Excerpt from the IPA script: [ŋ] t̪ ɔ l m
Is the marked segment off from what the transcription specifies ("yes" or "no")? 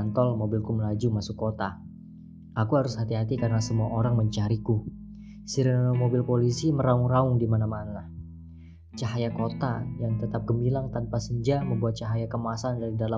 yes